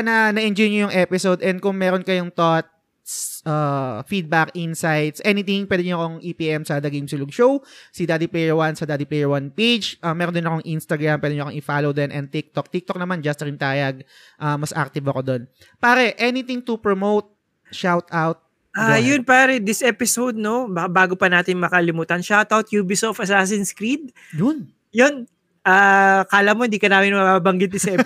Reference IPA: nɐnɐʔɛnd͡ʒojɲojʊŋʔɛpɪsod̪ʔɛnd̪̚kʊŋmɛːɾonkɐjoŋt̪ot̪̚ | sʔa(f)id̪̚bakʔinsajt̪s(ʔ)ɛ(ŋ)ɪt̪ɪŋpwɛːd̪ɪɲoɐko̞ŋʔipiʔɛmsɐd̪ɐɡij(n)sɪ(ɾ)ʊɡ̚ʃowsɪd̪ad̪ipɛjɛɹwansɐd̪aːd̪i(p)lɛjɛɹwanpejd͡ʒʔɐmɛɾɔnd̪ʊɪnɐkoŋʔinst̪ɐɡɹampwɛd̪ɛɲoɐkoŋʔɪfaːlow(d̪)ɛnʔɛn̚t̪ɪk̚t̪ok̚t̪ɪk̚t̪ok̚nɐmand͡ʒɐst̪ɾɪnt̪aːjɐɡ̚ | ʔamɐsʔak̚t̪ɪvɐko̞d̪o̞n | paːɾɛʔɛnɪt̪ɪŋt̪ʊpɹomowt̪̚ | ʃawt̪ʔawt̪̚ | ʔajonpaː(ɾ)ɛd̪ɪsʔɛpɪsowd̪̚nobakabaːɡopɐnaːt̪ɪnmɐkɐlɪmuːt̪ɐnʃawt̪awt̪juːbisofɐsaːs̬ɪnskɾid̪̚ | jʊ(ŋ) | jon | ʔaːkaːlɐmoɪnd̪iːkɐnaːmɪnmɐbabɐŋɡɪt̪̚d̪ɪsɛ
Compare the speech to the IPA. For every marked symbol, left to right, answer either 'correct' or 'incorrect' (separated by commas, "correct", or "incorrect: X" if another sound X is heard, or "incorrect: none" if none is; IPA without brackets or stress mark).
correct, correct, incorrect: n, incorrect: m, incorrect: l, correct, correct, correct, incorrect: n